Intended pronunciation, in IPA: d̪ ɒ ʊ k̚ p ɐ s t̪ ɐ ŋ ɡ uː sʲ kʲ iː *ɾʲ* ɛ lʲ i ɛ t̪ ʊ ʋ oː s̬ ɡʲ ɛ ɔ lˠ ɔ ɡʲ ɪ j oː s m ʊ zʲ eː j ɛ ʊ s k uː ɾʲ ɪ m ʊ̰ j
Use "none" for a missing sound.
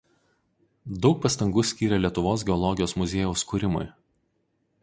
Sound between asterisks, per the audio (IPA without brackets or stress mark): ɾʲ